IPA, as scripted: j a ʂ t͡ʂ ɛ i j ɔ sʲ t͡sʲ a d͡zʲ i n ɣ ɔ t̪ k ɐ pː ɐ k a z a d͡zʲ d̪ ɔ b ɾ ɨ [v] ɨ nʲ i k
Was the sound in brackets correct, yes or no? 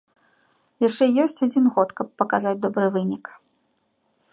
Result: yes